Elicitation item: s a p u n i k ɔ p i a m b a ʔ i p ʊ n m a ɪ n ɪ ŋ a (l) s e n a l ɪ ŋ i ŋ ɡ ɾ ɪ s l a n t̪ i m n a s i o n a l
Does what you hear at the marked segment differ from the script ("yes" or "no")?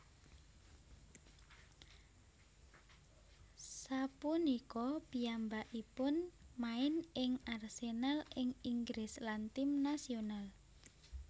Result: yes